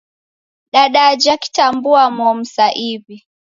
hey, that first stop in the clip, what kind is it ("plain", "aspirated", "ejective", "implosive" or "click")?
implosive